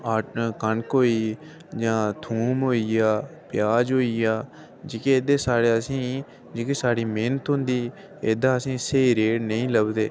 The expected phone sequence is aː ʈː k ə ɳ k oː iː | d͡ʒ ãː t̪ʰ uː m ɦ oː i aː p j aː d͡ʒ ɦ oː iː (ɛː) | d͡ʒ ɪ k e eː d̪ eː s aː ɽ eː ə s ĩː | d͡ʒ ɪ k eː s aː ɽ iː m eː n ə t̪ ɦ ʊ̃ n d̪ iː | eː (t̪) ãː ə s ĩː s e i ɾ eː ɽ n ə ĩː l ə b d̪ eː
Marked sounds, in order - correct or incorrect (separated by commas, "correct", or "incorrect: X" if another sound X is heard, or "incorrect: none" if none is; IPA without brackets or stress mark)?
incorrect: aː, incorrect: d̪